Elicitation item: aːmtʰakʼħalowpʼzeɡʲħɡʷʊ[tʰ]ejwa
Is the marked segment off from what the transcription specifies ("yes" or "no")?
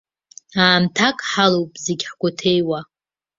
no